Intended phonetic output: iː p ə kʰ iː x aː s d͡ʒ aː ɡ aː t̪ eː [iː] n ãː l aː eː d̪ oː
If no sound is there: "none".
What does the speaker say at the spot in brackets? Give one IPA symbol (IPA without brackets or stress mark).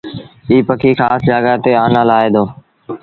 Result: aː